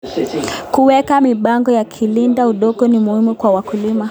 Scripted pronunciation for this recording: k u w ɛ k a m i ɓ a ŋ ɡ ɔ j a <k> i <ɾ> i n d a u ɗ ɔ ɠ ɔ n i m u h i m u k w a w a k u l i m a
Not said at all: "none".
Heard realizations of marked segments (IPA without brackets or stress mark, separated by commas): kʰ, l